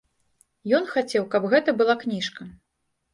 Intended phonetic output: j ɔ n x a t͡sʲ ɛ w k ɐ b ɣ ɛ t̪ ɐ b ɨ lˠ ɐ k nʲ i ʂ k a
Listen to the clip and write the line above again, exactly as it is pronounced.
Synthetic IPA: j ɔ n x a t͡sʲ ɛ w k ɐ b ɣ ɛ t̪ ɐ b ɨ lˠ a k nʲ i ʂ k ɐ